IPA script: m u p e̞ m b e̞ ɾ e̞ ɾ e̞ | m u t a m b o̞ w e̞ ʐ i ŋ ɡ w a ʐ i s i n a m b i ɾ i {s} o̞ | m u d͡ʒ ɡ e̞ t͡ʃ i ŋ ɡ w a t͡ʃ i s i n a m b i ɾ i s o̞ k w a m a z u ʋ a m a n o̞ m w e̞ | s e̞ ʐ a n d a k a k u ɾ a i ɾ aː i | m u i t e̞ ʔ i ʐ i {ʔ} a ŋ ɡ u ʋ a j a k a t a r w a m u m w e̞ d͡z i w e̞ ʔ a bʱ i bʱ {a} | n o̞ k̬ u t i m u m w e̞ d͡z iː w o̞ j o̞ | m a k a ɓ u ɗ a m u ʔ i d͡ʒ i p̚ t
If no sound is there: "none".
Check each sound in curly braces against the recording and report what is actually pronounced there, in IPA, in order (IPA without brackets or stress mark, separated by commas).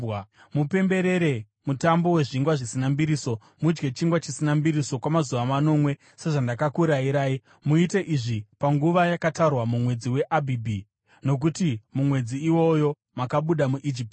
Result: s, p, i